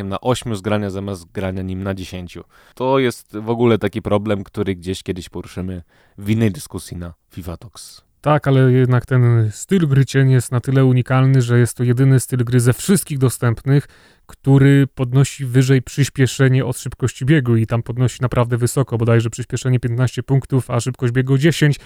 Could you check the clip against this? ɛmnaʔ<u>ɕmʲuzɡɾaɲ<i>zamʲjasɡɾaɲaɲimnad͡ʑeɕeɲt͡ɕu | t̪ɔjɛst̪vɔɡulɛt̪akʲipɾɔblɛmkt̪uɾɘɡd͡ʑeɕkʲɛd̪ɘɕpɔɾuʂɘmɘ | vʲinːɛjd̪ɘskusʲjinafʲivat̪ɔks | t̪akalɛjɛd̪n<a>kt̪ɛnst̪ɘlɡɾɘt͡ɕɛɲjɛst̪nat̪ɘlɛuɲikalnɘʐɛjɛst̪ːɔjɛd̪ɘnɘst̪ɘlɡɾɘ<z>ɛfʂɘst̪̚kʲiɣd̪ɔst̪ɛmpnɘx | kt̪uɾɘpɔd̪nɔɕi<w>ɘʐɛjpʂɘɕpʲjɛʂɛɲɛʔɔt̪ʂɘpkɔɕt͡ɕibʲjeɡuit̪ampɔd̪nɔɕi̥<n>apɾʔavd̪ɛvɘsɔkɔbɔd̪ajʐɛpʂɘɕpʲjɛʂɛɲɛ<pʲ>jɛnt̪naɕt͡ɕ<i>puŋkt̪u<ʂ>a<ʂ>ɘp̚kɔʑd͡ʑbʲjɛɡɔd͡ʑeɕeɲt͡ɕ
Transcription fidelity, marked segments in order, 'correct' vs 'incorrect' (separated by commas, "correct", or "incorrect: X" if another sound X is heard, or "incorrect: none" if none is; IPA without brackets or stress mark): incorrect: ɔ, incorrect: a, correct, correct, incorrect: v, correct, correct, incorrect: ɛ, incorrect: f, correct